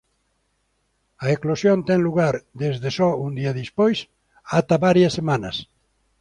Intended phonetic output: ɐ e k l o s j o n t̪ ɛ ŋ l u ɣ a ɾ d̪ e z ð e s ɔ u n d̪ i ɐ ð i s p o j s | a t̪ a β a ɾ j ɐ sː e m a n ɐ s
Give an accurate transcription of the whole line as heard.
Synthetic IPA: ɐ e k l o s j o n t̪ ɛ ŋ l u ɣ a ɾ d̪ e z ð e s ɔ u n d̪ i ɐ ð i s p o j s | a t̪ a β a ɾ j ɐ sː e m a n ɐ s

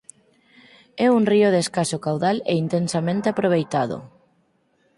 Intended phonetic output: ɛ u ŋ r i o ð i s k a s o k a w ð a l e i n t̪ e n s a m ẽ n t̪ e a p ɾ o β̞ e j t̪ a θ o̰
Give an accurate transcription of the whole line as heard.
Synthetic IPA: ɛ u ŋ r i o ð e s k a s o k a w ð a l e i n t̪ e n s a m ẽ n t̪ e a p ɾ o β̞ e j t̪ a ð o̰

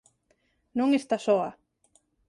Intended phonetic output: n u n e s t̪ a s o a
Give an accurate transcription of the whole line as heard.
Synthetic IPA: n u ŋ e s t̪ a s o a

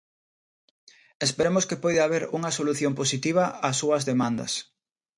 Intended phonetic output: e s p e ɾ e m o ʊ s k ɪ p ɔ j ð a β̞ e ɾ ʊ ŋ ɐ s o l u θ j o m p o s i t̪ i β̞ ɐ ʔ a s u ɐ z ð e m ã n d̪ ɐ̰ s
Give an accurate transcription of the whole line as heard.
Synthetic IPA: e s p e ɾ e m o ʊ s k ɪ p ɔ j ð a β̞ e ɾ u ŋ ɐ s o l u θ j o m p o s i t̪ i β̞ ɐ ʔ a s u ɐ z ð e m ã n d̪ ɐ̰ s

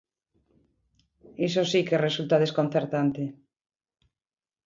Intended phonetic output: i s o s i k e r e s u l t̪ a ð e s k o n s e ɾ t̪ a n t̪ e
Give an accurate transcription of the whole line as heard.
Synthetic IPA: i s o s i k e r e s u l t̪ a ð e s k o n θ e ɾ t̪ a n t̪ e

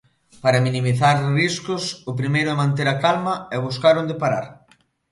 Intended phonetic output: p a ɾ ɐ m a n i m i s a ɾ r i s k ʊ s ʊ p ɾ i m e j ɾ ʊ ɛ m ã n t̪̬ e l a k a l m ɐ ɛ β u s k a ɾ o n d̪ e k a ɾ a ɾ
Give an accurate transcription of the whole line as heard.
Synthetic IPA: p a ɾ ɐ m i n i m i θ a ɾ r i s k ʊ s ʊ p ɾ i m e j ɾ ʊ ɛ m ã n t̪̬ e ɾ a k a l m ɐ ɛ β u s k a ɾ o n d̪ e p a ɾ a ɾ

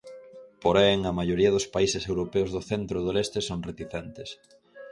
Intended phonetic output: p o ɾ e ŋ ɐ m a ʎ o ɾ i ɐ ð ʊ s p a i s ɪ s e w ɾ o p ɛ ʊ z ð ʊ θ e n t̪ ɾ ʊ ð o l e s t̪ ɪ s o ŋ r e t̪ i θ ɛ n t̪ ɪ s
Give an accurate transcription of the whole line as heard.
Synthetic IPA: p o ɾ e ŋ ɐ m a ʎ o ɾ i ɐ ð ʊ s p a i s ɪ s e w ɾ o p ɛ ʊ z ð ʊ θ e n t̪ ɾ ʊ ð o l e s t̪ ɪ s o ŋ r e t̪ i θ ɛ n t̪ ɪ s

